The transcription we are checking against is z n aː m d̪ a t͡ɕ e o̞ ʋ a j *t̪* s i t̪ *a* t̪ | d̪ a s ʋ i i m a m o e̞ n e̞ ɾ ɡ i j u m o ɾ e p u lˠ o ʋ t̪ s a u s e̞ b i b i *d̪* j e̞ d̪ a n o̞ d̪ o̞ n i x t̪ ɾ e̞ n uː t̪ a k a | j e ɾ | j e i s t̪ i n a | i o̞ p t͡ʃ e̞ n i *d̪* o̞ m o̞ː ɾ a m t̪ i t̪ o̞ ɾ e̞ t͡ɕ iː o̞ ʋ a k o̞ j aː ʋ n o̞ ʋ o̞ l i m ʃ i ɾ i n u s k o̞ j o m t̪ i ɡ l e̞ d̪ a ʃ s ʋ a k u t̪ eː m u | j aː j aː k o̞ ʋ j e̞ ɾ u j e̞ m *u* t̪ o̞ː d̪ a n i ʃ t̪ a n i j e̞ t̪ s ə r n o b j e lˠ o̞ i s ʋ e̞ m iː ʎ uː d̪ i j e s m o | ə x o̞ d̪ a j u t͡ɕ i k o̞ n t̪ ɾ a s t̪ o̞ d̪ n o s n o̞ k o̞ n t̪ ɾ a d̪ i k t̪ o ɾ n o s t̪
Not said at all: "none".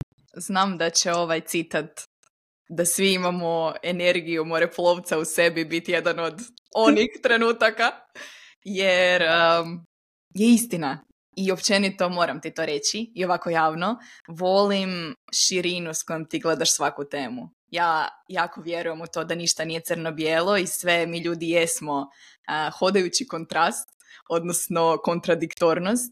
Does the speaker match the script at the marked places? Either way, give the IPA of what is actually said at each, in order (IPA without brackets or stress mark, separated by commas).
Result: t̪, a, t̪, t̪, u